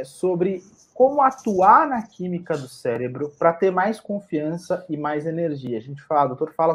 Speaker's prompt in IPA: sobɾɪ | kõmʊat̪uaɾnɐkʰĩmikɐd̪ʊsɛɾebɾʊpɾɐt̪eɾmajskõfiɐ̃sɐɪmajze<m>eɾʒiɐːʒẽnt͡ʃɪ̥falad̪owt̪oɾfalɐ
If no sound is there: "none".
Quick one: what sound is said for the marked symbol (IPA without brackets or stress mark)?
n